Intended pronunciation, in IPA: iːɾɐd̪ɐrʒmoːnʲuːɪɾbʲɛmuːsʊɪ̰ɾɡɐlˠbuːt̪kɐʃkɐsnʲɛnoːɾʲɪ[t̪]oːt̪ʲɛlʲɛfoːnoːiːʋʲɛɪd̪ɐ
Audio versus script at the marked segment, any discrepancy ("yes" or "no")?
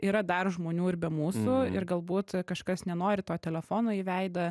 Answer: no